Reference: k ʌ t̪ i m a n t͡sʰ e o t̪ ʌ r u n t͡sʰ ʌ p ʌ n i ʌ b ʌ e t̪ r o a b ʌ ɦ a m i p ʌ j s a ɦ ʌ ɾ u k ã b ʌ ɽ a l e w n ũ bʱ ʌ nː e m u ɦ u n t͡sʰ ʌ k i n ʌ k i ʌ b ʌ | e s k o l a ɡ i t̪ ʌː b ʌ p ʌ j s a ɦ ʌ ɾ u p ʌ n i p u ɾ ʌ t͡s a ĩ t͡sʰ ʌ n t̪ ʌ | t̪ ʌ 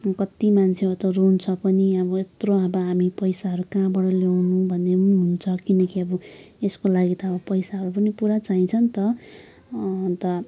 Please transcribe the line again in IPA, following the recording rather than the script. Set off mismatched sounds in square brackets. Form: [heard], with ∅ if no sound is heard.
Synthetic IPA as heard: k ʌ t̪ i m a n t͡sʰ e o t̪ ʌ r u n t͡sʰ ʌ p ʌ n i ʌ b ʌ e t̪ r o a b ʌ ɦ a m i p ʌ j s a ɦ ʌ ɾ u k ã b ʌ ɽ [ʌ] l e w n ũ bʱ ʌ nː e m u ɦ u n t͡sʰ ʌ k i n ʌ k i ʌ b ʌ | e s k o l a ɡ i t̪ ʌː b ʌ p ʌ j s a ɦ ʌ ɾ u p ʌ n i p u ɾ [a] t͡s a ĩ t͡sʰ ʌ n t̪ ʌ | t̪ ʌ